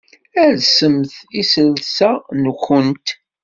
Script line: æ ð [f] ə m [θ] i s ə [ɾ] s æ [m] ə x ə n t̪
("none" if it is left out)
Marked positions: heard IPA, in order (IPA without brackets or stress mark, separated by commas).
s, θ, l, n